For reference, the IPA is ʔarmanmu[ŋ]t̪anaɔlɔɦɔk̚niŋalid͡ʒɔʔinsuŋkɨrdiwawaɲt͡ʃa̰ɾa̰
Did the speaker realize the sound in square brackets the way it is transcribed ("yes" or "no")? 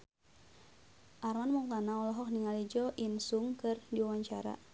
yes